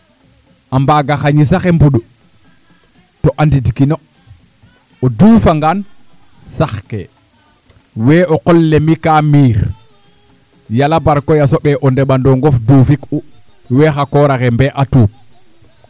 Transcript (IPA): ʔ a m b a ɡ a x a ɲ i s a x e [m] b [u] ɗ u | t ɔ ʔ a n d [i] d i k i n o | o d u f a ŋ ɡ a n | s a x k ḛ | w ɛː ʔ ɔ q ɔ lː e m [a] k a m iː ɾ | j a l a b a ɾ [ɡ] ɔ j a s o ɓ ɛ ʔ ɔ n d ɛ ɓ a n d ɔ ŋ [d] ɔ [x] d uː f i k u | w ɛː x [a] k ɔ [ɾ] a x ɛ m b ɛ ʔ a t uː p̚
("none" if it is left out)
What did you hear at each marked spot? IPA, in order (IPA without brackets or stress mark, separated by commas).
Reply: m, u, i, i, k, ɡ, f, a, ɾ